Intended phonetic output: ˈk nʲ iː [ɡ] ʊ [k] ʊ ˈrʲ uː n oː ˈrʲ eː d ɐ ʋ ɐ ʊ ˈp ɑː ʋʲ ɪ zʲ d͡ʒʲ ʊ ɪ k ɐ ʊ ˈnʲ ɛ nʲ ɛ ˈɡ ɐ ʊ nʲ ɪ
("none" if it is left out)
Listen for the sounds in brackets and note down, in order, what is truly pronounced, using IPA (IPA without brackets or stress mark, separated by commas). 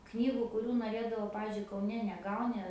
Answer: ɡ, k